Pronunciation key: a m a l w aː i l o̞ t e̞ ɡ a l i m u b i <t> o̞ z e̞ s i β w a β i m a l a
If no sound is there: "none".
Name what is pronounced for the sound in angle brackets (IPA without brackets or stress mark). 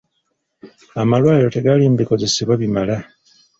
k